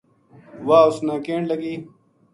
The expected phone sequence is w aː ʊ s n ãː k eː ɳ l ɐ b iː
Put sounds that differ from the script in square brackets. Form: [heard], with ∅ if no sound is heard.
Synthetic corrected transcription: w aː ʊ s n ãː k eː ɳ l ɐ [ɡ] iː

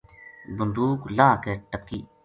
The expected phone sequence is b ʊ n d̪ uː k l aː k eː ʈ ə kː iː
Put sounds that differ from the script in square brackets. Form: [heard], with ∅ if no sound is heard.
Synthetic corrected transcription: b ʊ n d̪ uː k l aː k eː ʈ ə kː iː

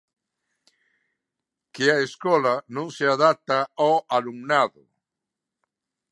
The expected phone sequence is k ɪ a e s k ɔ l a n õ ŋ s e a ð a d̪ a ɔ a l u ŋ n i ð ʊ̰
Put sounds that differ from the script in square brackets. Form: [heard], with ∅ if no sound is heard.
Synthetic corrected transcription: k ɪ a e s k ɔ l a n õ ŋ s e a ð a [t̪] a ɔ a l u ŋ n [a] ð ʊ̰

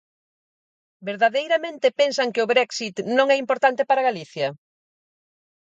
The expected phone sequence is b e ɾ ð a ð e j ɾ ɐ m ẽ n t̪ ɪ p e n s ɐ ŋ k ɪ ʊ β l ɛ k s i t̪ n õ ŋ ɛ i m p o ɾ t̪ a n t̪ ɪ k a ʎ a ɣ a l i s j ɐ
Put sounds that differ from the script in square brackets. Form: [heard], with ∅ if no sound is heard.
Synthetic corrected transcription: b e ɾ ð a ð e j ɾ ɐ m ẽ n t̪ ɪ p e n s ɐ ŋ k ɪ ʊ β [ɾ] ɛ k s i t̪ n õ ŋ ɛ i m p o ɾ t̪ a n t̪ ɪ [p] a [ɾ] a ɣ a l i [θ] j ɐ

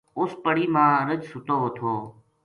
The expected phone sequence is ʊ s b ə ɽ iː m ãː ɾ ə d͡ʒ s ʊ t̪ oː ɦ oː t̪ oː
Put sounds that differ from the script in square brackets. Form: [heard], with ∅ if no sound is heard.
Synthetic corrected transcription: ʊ s [p] ə ɽ iː m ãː ɾ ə d͡ʒ s ʊ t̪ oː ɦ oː [t̪ʰ] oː

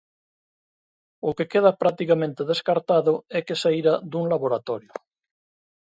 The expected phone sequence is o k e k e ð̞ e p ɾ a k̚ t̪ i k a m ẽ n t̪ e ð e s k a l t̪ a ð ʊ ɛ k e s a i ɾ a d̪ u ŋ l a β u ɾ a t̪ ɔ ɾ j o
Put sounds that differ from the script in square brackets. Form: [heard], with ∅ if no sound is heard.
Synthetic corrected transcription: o k e k e ð̞ [a] p ɾ a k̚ t̪ i k a m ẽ n t̪ e ð e s k a [ɾ] t̪ a ð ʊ ɛ k e s a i ɾ a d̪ u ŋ l a β [o] ɾ a t̪ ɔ ɾ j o

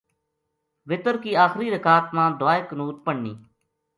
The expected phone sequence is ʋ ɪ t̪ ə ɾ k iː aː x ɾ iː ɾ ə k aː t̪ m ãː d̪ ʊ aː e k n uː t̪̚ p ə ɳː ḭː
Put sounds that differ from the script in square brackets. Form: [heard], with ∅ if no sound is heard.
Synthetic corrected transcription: ʋ ɪ t̪ ə ɾ k iː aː x ɾ iː ɾ ə k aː t̪ m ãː d̪ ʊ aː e k n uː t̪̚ p ə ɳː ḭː

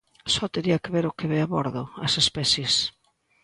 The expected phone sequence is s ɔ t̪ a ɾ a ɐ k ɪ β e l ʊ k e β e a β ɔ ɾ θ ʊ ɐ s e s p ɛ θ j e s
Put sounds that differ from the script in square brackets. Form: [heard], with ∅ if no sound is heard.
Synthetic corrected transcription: s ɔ t̪ [e] ɾ [i] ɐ k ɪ β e [ɾ] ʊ k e β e a β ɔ ɾ [ð] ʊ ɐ s e s p ɛ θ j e s

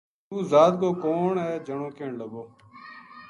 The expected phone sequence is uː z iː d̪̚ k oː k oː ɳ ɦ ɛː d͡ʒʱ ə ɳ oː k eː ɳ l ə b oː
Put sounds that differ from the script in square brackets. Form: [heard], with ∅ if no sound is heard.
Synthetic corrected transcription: uː z [aː] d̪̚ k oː k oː ɳ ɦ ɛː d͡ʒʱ ə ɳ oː k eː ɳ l ə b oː

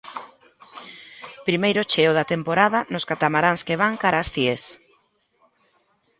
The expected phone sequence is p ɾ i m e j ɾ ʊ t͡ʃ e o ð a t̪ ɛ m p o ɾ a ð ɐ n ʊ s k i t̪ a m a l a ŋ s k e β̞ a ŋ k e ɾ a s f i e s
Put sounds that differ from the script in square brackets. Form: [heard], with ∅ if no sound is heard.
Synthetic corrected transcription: p ɾ i m e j ɾ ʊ t͡ʃ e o ð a t̪ [e] m p o ɾ a ð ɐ n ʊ s k [a] t̪ a m a [ɾ] a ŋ s k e β̞ a ŋ k [a] ɾ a s [θ] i e s

